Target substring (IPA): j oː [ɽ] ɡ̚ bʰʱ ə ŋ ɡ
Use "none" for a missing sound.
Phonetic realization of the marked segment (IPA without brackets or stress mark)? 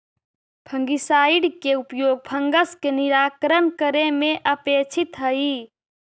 none